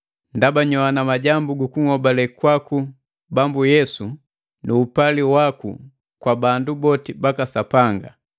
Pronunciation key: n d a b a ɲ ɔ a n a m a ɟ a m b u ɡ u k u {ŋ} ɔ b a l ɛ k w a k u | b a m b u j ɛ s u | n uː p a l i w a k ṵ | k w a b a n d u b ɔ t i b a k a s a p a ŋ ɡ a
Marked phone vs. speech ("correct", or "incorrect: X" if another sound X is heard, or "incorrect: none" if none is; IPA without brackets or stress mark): correct